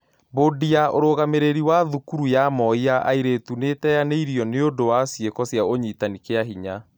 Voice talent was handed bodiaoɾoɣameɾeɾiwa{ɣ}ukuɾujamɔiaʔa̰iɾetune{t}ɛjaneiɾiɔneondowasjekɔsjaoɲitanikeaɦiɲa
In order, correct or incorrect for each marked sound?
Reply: incorrect, correct

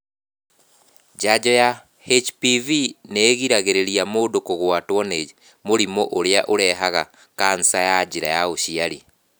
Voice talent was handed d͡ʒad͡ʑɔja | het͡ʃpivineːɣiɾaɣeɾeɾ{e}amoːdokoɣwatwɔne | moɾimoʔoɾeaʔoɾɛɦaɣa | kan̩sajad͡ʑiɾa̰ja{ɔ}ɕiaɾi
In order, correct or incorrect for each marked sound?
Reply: incorrect, incorrect

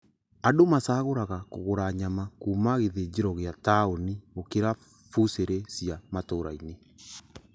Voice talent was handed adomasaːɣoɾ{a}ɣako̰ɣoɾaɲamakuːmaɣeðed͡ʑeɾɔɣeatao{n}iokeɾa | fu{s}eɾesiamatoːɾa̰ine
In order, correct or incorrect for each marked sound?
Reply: correct, correct, correct

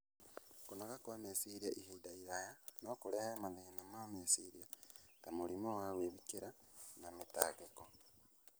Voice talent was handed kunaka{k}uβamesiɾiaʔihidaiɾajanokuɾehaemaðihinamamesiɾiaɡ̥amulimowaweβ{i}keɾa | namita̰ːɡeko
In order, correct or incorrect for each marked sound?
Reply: correct, correct

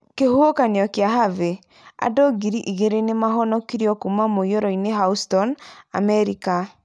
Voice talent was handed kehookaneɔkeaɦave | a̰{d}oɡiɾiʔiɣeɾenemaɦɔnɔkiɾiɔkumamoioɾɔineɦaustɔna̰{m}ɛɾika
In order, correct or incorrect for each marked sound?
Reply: correct, correct

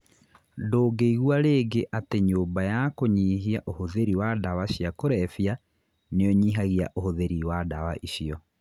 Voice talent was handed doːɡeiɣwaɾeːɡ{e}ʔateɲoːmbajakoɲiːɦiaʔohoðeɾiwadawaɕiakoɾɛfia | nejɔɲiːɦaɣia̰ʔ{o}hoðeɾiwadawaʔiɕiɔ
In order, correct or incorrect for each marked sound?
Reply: correct, correct

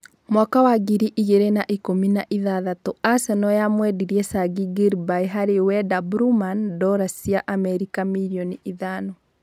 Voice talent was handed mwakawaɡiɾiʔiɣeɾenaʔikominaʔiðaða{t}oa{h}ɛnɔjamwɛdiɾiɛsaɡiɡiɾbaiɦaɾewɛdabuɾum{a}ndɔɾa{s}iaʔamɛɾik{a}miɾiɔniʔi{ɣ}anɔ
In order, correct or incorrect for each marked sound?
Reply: correct, incorrect, correct, correct, correct, incorrect

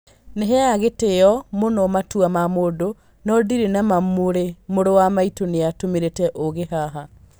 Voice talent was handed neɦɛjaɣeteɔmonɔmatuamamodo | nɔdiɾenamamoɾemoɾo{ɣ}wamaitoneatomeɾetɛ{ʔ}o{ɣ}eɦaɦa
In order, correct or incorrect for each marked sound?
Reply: incorrect, correct, correct

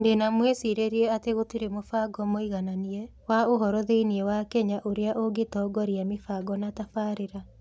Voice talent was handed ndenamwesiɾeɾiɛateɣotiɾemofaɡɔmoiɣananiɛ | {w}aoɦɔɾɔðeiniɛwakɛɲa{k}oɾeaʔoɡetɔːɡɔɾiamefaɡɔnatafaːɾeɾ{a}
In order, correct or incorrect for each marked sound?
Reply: correct, incorrect, correct

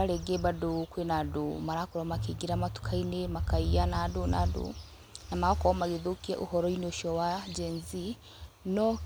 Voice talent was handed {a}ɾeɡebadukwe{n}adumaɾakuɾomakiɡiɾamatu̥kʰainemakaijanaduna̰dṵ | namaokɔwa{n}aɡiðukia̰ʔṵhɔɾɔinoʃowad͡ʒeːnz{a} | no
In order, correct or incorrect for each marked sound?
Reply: correct, correct, incorrect, incorrect

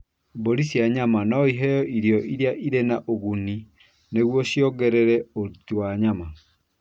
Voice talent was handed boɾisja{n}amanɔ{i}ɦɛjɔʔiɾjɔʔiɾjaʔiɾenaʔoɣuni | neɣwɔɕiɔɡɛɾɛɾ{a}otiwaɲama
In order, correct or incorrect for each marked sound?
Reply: incorrect, correct, incorrect

